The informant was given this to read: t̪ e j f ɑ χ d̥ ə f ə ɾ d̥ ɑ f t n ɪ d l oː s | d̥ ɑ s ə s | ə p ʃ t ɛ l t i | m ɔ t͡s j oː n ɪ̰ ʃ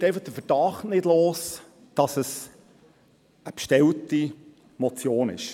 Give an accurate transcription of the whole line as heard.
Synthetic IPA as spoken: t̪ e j f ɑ χ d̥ ə f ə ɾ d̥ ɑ χ t n ɪ d l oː s | d̥ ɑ s ə s | ə p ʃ t ɛ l t i | m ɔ t͡s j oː n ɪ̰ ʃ

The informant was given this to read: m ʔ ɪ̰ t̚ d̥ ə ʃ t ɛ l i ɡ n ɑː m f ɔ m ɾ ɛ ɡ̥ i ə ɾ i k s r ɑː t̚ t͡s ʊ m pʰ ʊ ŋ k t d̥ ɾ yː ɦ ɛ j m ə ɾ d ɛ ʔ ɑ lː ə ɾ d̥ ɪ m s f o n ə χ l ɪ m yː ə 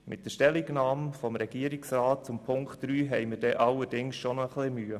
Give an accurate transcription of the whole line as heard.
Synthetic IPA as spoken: m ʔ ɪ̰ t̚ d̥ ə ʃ t ɛ l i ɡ n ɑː m f ɔ m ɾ ɛ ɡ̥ i ə ɾ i k s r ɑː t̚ t͡s ʊ m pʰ ʊ ŋ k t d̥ ɾ yː ɦ ɛ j m ə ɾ d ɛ ʔ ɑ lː ə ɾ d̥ ɪ ŋ s ʃ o n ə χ l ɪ m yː ə

